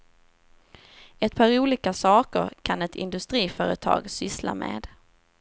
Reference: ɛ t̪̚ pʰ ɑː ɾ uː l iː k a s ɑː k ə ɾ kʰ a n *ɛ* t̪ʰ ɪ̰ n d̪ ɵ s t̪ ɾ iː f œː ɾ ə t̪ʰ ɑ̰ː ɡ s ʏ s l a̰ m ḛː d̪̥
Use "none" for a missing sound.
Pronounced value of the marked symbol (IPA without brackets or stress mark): ɛ